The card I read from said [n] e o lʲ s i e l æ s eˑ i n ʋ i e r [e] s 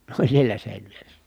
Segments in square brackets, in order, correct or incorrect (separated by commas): correct, correct